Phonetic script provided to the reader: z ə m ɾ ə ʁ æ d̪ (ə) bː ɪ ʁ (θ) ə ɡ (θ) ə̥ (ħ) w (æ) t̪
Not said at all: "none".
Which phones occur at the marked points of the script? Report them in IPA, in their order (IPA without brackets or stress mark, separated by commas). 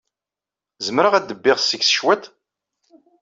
ə, s, s, ʃ, æ